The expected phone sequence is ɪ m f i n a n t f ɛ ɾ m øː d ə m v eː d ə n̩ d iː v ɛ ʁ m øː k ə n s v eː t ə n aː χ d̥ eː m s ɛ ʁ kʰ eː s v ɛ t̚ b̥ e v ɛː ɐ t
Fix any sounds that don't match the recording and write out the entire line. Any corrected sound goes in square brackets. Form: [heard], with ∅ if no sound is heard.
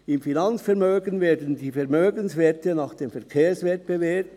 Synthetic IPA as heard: ɪ m f i n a n [t͡s] f ɛ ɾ m øː [ɡ] ə [n] v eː d ə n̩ d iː [f] ɛ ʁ m øː [ɡ] ə n s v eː t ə n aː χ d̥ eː m [f] ɛ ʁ kʰ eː s v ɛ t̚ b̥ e v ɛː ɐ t